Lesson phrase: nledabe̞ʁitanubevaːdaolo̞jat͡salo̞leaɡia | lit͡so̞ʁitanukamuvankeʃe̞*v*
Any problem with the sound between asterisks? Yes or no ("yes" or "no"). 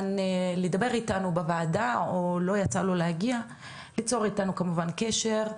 yes